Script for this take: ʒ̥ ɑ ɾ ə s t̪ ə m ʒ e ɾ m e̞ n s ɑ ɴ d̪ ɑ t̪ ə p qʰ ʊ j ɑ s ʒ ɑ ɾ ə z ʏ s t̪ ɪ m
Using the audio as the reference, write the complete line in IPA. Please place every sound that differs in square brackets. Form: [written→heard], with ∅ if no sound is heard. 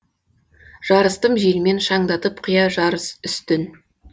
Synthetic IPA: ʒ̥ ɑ ɾ ə s t̪ ə m ʒ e [ɾ→l] m e̞ n [s→ʃ] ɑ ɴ d̪ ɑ t̪ ə p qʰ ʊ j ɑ [s→∅] ʒ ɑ ɾ ə [z→s] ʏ s t̪ ɪ [m→n]